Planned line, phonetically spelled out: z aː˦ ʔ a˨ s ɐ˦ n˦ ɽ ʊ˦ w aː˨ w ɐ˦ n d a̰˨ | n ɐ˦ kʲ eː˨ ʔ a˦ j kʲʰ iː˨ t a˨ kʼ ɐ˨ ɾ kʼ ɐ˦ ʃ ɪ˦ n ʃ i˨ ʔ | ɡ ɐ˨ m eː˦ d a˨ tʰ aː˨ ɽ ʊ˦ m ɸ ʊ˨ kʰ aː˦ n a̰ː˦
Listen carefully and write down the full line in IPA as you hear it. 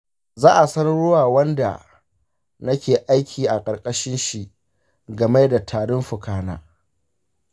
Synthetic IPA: z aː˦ ʔ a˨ s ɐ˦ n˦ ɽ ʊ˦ w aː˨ w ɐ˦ n d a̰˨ | n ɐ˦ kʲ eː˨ ʔ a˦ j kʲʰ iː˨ ʔ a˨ kʼ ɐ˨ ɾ kʼ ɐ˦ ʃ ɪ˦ n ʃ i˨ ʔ | ɡ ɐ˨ m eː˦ d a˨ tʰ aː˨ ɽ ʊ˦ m ɸ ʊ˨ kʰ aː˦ n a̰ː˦